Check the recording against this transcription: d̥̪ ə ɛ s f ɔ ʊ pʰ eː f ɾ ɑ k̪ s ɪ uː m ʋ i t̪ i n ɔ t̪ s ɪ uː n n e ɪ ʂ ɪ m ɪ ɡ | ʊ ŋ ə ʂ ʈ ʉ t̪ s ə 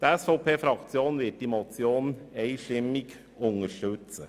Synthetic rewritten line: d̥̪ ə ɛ s f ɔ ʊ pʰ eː f ɾ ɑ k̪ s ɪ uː n ʋ ɪ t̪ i m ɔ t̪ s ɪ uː n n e ɪ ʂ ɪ m ɪ ɡ | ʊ ŋ ə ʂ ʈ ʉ t̪ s ə